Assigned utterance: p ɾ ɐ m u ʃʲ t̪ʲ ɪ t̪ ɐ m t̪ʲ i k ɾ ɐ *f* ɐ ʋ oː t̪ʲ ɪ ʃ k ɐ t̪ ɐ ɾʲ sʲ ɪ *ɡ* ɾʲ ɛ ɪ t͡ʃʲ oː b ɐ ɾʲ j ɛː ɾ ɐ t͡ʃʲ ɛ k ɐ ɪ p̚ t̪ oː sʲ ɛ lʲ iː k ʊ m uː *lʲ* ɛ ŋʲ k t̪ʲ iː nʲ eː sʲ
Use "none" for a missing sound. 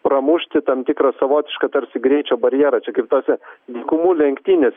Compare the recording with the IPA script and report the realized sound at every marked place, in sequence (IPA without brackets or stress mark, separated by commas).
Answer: s, ɡ, lʲ